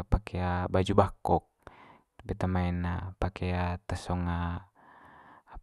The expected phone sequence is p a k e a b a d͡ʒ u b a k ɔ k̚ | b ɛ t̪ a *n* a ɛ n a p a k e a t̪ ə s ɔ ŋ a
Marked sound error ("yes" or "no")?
yes